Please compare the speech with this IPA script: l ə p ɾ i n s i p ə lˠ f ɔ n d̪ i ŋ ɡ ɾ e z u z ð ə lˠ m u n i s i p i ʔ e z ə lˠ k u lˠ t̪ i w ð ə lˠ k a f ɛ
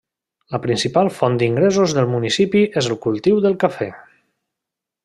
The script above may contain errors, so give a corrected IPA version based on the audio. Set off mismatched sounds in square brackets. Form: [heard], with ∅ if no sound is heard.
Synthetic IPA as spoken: l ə p ɾ i n s i p [a] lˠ f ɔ n d̪ i ŋ ɡ ɾ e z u z ð ə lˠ m u n i s i p i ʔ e z ə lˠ k u lˠ t̪ i w ð ə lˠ k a f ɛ